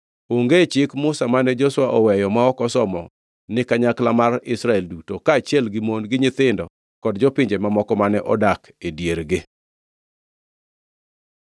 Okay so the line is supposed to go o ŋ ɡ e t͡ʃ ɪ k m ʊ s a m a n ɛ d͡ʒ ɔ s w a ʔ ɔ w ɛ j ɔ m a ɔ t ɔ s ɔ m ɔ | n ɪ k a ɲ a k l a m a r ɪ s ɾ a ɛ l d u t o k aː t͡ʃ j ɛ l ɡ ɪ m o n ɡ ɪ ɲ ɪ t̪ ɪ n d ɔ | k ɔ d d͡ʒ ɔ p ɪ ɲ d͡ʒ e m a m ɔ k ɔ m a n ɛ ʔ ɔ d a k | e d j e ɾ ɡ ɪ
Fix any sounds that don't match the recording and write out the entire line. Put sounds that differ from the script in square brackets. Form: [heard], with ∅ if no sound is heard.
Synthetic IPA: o ŋ ɡ e t͡ʃ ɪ k m ʊ s a m a n ɛ d͡ʒ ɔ s w a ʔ ɔ w ɛ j ɔ m a ɔ [k] ɔ s ɔ m ɔ | n ɪ k a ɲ a k l a m a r ɪ s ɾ a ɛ l d u t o k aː t͡ʃ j ɛ l ɡ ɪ m o n ɡ ɪ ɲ ɪ t̪ ɪ n d ɔ | k ɔ d d͡ʒ ɔ p ɪ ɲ d͡ʒ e m a m ɔ k ɔ m a n ɛ ʔ ɔ d a k | e d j e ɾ ɡ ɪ